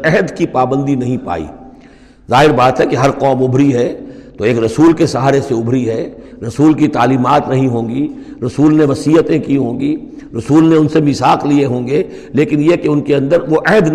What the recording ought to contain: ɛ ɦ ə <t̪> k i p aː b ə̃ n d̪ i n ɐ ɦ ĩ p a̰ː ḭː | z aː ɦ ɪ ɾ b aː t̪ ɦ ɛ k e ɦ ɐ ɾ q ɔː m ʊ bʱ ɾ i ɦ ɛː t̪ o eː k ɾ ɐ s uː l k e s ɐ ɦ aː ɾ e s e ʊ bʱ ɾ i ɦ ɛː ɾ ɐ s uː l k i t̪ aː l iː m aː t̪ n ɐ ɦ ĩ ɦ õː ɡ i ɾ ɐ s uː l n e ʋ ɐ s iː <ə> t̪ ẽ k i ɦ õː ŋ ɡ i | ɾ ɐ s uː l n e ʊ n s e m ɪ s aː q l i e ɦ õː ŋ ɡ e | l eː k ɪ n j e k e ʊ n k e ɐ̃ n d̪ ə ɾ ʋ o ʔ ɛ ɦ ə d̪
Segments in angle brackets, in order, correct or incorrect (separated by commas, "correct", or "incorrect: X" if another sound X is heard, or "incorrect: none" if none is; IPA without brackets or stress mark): incorrect: d̪, correct